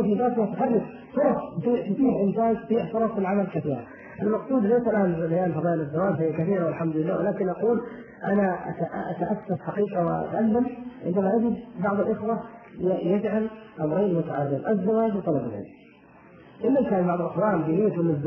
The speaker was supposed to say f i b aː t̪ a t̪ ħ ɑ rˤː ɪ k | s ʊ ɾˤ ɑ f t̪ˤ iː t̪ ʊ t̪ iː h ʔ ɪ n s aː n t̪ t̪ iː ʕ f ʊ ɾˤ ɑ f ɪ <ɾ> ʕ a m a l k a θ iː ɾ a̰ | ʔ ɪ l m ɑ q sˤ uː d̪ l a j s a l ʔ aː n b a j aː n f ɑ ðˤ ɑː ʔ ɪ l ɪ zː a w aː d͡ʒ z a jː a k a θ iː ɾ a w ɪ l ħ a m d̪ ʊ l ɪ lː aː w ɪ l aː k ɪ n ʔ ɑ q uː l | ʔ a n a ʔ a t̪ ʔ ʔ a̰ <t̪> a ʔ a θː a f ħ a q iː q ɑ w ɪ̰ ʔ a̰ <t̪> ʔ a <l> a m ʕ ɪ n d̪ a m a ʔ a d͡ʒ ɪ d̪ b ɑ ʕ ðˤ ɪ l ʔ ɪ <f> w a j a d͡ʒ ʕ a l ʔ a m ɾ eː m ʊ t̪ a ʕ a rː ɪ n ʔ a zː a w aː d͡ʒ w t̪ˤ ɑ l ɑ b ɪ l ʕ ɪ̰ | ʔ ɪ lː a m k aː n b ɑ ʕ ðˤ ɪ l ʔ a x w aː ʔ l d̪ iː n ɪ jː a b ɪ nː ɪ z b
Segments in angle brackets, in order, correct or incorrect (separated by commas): incorrect, correct, correct, incorrect, incorrect